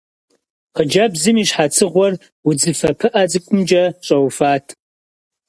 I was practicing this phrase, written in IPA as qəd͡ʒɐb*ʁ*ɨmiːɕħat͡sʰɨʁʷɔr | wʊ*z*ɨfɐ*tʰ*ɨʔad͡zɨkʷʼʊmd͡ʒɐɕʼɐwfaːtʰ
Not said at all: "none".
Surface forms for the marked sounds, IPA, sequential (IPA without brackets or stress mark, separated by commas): z, d͡z, pʰ